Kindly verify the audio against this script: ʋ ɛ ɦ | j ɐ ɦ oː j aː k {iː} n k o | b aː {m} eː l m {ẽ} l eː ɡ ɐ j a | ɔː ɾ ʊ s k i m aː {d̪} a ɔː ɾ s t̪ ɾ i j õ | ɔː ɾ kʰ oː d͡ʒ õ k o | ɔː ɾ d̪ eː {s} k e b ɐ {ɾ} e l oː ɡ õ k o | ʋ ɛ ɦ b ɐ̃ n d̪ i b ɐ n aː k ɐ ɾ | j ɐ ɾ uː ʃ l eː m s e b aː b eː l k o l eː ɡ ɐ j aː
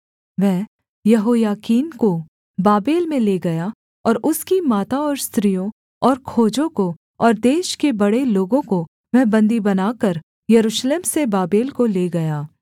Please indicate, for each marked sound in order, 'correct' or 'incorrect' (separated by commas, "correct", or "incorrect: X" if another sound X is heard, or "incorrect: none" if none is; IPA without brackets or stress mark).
correct, incorrect: b, correct, incorrect: t̪, incorrect: ʃ, incorrect: ɽ